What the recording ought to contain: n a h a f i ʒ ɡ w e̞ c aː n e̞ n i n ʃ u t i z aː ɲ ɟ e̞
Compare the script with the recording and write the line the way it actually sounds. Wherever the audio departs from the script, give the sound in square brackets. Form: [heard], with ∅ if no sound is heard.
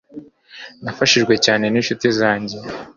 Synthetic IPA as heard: n a [f] a [ʃ] i ʒ ɡ w e̞ c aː n e̞ n i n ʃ u t i z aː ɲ ɟ e̞